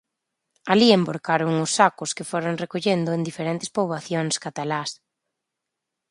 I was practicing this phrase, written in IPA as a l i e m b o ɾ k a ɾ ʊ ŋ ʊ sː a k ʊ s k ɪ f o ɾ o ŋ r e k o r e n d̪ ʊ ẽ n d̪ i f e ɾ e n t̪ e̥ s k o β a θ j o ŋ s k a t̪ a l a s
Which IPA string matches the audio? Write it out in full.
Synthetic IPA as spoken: a l i e m b o ɾ k a ɾ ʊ ŋ ʊ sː a k ʊ s k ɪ f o ɾ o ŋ r e k o ʎ e n d̪ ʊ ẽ n d̪ i f e ɾ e n t̪ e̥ s p o β a θ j o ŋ s k a t̪ a l a s